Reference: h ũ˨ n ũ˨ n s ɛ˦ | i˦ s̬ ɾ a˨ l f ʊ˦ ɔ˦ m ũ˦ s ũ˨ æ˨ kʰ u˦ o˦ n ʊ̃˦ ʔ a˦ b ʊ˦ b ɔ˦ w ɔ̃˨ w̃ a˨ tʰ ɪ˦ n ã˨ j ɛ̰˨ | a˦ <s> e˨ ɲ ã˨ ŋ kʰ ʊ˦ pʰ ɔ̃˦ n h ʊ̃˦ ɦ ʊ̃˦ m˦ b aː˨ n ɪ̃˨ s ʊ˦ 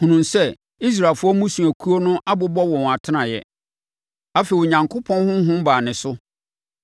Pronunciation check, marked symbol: incorrect: f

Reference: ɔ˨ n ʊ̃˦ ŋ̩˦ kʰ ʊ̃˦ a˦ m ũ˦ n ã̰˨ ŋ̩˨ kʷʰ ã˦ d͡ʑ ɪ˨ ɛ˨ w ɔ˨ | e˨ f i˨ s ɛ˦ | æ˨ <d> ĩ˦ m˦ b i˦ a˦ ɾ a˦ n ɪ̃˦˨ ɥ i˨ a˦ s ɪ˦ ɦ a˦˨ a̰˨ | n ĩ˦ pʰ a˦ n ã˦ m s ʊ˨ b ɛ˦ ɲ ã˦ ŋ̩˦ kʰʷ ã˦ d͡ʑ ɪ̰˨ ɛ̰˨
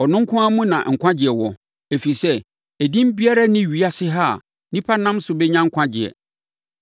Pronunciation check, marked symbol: correct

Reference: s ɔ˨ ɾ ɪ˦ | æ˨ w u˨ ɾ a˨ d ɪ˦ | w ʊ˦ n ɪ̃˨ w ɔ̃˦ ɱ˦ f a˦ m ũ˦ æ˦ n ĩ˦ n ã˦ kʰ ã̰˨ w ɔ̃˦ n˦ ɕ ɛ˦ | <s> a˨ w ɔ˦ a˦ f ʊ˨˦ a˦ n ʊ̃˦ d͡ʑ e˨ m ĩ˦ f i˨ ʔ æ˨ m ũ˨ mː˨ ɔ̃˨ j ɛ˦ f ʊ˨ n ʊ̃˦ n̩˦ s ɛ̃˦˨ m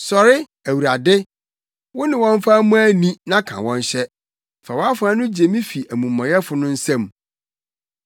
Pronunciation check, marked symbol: incorrect: f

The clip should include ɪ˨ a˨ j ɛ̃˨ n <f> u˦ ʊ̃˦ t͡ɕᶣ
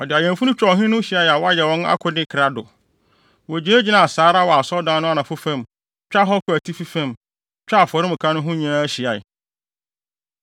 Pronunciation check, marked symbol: correct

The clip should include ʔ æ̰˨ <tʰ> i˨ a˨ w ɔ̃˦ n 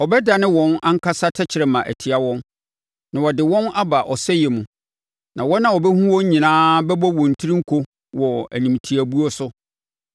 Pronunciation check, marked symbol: correct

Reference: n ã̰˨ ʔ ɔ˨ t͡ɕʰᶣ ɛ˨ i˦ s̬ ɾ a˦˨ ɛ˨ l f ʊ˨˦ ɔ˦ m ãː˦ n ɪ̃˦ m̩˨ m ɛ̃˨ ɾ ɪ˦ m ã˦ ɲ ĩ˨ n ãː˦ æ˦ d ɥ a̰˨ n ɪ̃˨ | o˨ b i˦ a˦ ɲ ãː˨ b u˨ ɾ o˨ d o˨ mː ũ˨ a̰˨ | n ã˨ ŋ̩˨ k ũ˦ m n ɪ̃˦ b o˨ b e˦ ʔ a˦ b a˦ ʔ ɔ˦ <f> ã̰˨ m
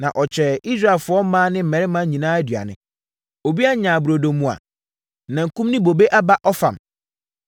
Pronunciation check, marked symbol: correct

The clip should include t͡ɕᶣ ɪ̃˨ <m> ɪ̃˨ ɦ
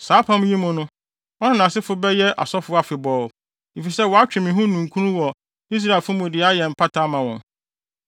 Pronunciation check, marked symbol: correct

